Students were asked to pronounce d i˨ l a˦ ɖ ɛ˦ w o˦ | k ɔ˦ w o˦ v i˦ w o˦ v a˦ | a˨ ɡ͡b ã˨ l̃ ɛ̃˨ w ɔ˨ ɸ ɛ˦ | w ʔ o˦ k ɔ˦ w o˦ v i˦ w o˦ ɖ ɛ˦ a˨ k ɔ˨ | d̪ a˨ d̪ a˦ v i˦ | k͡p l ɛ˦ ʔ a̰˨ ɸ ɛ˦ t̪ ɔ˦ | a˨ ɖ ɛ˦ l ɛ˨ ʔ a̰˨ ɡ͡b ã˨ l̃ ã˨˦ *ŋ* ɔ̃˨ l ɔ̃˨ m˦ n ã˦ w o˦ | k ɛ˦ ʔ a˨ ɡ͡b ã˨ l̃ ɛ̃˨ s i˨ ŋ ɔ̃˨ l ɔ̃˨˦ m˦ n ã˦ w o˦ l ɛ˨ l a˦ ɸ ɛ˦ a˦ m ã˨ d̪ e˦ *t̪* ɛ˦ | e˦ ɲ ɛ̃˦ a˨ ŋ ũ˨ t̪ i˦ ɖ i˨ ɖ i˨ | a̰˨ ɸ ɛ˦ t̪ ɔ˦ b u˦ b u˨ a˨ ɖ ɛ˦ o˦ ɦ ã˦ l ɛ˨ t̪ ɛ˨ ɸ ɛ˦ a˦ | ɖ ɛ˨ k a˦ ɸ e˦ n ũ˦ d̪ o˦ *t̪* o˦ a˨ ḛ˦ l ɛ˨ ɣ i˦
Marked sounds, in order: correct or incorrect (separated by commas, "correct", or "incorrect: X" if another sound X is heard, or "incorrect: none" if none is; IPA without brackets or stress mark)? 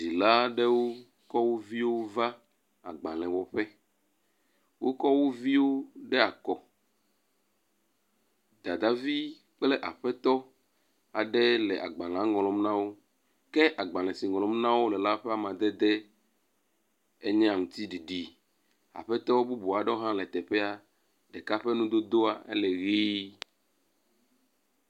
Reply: correct, incorrect: d̪, incorrect: d̪